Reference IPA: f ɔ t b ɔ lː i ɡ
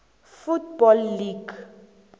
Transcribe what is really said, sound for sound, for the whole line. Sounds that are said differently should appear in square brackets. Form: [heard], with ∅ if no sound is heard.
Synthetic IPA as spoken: f [u] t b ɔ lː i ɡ